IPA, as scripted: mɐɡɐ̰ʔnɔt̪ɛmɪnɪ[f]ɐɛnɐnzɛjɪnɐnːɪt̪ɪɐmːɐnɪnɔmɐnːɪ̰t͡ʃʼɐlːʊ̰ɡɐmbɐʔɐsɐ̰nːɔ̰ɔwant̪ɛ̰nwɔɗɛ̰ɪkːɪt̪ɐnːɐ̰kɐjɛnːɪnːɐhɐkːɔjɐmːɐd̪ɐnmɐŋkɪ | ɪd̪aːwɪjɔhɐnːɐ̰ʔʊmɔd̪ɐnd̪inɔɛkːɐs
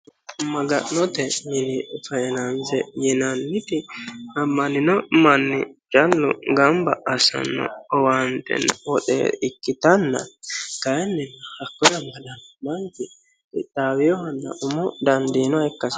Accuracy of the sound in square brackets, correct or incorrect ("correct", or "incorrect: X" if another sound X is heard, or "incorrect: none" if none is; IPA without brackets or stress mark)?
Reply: correct